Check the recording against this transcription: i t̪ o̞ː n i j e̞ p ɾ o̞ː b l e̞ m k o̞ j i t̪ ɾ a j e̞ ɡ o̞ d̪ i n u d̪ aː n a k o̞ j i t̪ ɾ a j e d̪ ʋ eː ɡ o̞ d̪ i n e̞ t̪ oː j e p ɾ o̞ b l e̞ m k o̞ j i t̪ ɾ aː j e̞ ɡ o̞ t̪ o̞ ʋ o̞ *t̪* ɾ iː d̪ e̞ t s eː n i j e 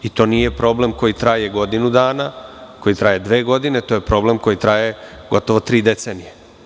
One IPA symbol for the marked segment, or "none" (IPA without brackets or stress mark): t̪